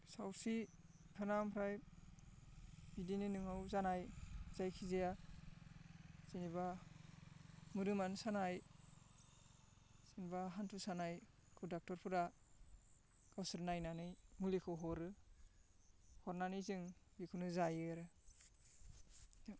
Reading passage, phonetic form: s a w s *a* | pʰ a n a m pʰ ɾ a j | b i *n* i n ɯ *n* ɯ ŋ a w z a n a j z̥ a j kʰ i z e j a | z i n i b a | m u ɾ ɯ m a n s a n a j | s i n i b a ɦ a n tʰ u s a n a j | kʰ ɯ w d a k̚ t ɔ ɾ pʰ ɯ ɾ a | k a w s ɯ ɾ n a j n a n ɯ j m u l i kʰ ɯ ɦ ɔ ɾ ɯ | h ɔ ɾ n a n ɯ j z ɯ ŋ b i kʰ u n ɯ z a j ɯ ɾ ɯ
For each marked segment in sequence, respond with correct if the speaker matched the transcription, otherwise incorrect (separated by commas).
incorrect, incorrect, correct